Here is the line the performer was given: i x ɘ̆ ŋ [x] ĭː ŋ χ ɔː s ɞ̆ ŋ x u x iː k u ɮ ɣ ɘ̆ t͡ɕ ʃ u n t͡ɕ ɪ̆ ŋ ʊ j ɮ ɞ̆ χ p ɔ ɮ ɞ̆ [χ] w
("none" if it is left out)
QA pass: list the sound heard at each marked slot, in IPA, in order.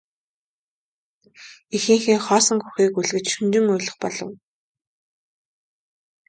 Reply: x, none

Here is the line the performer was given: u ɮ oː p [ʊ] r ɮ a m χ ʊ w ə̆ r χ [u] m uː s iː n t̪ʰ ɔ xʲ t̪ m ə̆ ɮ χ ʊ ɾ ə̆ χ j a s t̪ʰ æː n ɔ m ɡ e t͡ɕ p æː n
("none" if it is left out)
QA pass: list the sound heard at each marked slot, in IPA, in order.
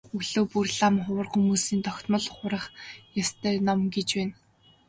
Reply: u, u

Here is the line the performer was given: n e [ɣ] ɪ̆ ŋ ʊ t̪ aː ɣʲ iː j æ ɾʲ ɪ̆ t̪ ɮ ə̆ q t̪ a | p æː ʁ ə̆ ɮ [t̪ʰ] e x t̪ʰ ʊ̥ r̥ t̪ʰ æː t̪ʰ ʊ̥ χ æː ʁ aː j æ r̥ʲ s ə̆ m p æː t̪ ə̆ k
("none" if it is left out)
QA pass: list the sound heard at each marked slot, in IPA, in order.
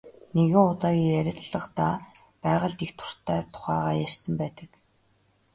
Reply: ɣ, t̪

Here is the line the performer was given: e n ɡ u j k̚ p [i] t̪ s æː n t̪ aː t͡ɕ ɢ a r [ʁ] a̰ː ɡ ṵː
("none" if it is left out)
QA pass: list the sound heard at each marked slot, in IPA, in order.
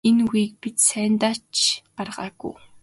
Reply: i, ʁ

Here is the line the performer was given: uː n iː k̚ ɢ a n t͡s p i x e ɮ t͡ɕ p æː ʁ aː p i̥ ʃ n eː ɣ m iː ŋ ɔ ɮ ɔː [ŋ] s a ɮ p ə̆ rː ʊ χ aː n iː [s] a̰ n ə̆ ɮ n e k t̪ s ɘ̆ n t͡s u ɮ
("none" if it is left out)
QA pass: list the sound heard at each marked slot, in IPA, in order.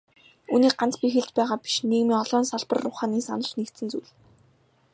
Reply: n, s

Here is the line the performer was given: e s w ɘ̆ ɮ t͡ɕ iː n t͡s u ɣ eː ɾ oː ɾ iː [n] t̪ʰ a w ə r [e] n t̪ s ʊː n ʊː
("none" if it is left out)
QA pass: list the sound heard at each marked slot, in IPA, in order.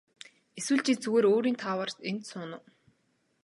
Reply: n, e

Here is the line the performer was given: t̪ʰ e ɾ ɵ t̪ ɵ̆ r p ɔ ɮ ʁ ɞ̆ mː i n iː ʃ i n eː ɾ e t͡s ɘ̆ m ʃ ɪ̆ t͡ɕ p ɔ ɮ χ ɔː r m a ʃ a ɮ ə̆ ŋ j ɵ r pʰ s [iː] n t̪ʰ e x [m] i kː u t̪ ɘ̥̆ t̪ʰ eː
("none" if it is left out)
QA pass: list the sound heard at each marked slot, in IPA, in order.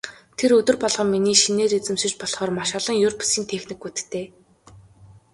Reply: iː, n

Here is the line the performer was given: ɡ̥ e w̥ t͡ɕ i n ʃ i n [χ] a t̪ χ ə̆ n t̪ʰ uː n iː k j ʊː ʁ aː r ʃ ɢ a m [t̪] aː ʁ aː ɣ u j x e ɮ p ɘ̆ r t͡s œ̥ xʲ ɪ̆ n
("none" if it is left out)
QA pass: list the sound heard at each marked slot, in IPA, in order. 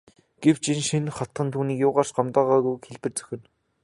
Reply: χ, t̪

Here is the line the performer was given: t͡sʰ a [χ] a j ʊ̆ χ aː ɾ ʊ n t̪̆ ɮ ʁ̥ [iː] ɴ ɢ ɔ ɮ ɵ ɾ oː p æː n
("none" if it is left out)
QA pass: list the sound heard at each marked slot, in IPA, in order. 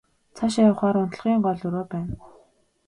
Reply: ʃ, iː

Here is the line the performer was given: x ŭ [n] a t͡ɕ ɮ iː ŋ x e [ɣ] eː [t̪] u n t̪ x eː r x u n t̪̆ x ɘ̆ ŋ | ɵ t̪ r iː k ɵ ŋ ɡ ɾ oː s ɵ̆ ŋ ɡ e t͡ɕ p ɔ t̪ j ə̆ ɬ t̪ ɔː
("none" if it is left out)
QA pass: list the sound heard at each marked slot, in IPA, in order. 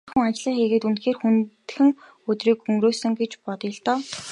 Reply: ŋ, ɣ, t̪

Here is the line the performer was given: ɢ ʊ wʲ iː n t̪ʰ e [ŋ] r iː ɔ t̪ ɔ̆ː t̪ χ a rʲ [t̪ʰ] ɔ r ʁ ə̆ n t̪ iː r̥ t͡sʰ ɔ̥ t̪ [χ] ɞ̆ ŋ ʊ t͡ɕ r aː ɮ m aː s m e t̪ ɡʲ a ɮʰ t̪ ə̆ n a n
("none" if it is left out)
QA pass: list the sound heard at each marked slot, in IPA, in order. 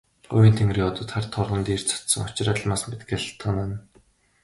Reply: ŋ, t̪ʰ, s

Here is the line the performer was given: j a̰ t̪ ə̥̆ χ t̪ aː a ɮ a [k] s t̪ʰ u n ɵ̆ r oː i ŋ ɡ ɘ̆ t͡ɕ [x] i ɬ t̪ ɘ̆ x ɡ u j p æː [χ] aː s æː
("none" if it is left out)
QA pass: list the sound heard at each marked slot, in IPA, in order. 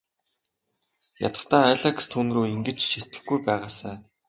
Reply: k, ʃ, ʁ

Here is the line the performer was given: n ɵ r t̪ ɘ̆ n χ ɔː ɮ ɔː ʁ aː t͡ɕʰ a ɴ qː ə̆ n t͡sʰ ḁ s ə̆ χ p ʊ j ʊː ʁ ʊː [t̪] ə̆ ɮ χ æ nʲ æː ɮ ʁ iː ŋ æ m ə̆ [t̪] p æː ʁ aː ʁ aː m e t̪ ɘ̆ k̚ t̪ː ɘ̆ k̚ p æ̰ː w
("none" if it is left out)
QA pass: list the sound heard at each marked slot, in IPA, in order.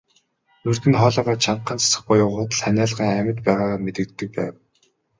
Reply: t̪, t̪

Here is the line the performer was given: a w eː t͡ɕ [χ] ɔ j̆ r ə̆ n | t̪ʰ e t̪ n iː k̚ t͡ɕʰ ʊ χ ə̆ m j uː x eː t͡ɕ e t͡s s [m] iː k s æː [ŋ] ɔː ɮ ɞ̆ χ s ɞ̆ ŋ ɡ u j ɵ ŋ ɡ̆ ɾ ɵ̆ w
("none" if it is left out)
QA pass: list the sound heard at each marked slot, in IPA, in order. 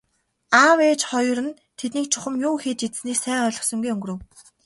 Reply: χ, n, ŋ

